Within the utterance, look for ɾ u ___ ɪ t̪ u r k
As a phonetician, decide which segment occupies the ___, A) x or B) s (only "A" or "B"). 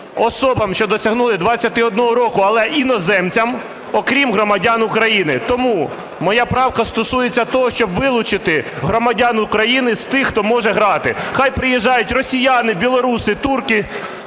B